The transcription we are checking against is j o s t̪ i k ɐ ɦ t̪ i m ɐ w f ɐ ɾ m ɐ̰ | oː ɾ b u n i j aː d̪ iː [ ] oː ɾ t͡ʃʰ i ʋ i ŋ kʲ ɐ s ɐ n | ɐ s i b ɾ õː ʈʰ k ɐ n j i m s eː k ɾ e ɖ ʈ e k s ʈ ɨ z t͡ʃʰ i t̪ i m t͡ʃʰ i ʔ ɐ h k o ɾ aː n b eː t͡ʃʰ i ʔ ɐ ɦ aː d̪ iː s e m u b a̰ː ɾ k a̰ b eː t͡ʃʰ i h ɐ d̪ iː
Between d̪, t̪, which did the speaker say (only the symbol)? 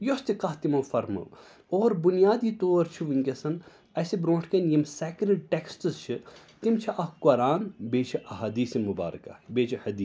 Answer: t̪